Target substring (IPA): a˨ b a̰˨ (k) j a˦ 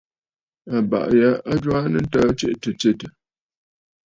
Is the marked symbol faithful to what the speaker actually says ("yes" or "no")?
no